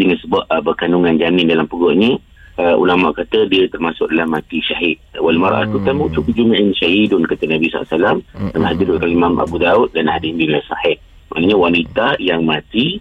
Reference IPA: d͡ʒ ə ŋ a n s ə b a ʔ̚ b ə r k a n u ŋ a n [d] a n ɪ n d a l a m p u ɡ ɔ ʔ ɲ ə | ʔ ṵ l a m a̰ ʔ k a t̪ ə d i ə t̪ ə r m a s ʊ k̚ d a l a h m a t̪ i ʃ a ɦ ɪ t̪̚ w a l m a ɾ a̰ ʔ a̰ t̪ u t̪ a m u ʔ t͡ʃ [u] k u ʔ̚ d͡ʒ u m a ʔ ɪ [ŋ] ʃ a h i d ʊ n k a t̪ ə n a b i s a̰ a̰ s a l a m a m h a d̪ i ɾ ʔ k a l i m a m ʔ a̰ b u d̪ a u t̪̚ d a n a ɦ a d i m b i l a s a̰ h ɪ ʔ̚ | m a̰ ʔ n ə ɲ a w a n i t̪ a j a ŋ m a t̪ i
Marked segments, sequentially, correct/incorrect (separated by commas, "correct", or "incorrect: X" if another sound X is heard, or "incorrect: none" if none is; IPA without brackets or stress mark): incorrect: d͡ʒ, correct, incorrect: n